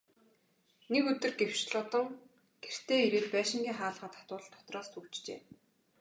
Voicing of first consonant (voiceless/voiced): voiced